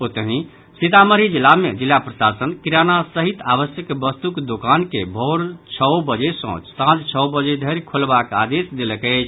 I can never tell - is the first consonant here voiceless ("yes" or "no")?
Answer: yes